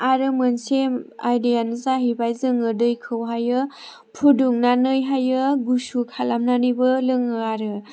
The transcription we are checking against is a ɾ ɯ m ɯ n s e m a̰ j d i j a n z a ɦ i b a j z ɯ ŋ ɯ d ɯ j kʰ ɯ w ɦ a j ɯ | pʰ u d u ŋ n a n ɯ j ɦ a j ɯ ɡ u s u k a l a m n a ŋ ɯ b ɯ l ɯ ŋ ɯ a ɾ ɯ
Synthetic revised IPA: a ɾ ɯ m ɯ n s e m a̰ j d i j a n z a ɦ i b a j z ɯ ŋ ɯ d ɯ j kʰ ɯ w ɦ a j ɯ | pʰ u d u ŋ n a n ɯ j ɦ a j ɯ ɡ u s u kʰ a l a m n a n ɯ b ɯ l ɯ ŋ ɯ a ɾ ɯ